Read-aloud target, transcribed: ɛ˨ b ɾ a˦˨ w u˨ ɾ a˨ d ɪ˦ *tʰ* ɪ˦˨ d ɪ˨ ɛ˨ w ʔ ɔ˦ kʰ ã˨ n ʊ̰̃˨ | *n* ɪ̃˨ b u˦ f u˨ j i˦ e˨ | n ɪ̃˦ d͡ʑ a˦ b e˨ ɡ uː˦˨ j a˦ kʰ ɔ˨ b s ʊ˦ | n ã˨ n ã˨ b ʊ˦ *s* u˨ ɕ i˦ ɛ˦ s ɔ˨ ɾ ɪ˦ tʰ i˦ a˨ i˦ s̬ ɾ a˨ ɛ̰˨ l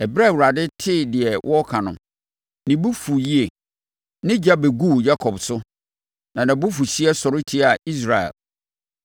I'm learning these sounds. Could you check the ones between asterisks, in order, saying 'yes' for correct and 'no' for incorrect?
yes, yes, no

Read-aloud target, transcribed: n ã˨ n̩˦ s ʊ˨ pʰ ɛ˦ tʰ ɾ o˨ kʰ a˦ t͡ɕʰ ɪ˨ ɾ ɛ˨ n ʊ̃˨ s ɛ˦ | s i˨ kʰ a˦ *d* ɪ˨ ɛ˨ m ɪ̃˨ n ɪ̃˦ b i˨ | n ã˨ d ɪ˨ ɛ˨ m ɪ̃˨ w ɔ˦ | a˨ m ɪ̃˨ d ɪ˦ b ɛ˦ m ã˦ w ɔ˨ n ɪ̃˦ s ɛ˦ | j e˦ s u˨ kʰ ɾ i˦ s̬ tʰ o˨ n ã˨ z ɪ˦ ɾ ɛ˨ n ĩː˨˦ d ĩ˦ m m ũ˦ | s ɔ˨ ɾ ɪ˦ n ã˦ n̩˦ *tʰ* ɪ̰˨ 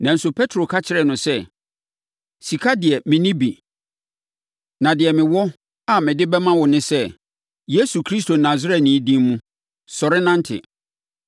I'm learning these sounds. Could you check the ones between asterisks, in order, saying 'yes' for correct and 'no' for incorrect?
yes, yes

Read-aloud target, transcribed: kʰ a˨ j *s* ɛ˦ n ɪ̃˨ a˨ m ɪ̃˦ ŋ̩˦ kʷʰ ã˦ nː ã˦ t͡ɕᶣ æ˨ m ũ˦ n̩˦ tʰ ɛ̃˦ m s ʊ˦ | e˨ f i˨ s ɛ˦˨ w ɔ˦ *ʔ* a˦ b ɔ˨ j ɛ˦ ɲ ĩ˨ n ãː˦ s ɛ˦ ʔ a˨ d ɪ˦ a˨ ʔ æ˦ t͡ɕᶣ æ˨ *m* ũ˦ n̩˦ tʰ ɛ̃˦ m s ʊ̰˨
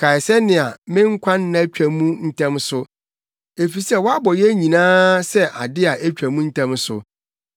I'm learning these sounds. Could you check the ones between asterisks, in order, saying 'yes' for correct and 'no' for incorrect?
yes, no, yes

